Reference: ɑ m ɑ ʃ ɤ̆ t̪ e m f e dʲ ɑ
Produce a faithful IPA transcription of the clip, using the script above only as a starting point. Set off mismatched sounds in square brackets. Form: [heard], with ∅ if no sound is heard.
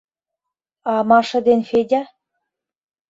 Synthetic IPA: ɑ m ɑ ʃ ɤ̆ [d̪] e [n] f e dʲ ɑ